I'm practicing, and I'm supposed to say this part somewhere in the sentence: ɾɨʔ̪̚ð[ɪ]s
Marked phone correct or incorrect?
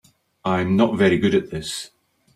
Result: correct